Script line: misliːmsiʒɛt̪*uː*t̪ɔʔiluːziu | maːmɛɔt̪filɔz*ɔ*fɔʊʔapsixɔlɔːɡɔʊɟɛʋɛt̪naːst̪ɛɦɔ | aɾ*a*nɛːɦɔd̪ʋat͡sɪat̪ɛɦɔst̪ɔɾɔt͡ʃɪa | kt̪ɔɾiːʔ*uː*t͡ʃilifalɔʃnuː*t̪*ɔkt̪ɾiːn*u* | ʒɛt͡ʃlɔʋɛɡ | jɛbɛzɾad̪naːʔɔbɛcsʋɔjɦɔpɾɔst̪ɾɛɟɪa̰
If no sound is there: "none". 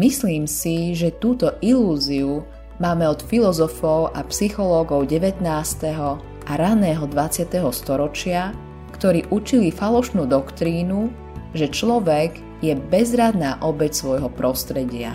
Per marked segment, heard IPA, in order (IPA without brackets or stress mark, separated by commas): uː, ɔ, a, u, d̪, u